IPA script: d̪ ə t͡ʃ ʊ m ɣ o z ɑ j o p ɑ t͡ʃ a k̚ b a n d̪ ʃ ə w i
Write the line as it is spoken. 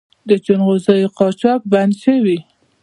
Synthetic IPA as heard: d̪ ə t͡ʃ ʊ n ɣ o z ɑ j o q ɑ t͡ʃ ɑ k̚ b a n d̪ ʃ ə w i